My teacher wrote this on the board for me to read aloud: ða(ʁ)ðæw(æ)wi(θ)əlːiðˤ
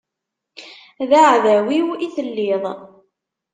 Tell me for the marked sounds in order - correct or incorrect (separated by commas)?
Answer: incorrect, incorrect, correct